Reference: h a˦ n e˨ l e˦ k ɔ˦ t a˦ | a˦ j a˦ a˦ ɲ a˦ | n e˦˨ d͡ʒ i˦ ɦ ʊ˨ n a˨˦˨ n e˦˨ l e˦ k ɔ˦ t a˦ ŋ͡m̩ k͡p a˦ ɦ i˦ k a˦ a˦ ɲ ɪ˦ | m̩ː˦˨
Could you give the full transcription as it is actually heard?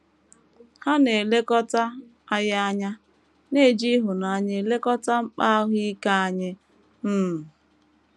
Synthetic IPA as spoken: h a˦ n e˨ l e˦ k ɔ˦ t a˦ | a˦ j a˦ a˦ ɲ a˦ | n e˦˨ d͡ʒ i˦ ɦ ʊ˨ n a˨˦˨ ɲ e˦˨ l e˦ k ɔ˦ t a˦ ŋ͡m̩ k͡p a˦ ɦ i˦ k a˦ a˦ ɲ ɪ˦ | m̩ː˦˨